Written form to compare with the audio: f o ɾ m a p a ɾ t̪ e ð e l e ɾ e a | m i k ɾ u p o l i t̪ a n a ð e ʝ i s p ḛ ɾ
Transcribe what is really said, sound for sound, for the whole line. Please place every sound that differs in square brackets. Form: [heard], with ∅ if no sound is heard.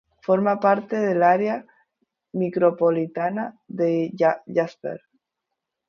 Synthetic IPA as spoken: f o ɾ m a p a ɾ t̪ e ð e l [a] ɾ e a | m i k ɾ [o] p o l i t̪ a n a ð e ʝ [a] s p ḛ ɾ